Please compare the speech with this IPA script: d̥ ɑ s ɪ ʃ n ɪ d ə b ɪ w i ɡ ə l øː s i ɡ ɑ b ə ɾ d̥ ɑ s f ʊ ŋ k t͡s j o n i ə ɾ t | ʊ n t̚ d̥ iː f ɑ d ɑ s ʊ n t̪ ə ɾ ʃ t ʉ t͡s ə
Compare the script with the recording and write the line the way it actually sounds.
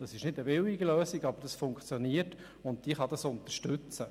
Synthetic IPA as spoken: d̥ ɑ s ɪ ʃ n ɪ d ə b ɪ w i ɡ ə l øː s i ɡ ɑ b ə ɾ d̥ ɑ s f ʊ ŋ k t͡s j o n i ə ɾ t | ʊ n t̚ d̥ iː χ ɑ d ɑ s ʊ n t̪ ə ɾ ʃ t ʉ t͡s ə